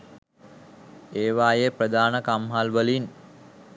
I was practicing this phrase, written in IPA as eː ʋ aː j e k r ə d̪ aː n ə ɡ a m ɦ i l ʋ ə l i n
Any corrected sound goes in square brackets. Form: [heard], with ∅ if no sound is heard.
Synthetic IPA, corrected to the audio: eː ʋ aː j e [p] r ə d̪ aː n ə [k] a m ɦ [a] l ʋ ə l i n